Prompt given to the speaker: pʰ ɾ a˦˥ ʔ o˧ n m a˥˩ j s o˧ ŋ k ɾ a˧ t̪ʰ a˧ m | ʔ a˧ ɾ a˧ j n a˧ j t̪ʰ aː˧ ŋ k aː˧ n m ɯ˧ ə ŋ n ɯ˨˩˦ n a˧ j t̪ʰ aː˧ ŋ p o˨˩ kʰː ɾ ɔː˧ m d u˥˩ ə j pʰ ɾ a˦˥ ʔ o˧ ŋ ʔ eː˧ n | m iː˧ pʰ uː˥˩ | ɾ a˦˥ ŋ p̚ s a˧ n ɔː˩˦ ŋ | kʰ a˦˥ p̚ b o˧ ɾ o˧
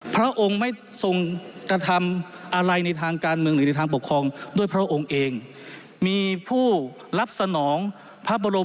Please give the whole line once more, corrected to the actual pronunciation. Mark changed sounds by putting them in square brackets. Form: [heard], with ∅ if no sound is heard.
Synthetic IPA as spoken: pʰ ɾ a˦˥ ʔ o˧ [ŋ] m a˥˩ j s o˧ ŋ k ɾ a˧ t̪ʰ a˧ m | ʔ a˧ ɾ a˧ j n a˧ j t̪ʰ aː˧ ŋ k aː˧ n m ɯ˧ ə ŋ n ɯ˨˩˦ n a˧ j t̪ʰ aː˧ ŋ p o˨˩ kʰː ɾ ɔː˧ [ŋ] d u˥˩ ə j pʰ ɾ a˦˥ ʔ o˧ ŋ ʔ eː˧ [ŋ] | m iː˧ pʰ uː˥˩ | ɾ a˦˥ [∅] p̚ s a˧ n ɔː˩˦ ŋ | [pʰ] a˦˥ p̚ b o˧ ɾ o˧